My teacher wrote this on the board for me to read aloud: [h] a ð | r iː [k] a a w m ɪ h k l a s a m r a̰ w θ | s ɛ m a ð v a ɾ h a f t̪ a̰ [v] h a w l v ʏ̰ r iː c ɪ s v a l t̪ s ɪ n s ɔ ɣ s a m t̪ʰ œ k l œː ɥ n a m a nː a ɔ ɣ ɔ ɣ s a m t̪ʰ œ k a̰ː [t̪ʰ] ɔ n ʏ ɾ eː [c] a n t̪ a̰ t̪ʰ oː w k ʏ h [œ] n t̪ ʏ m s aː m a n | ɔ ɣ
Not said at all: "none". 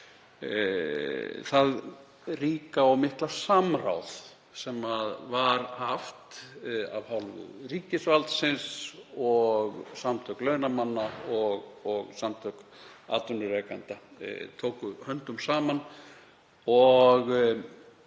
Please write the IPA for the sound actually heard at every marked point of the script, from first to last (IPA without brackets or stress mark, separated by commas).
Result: θ, k, v, t̪, k, œ